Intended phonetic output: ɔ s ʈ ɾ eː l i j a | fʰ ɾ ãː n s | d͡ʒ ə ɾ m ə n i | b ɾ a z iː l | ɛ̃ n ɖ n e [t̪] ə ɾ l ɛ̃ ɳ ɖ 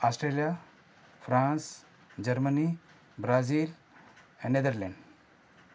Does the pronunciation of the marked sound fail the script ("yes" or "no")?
yes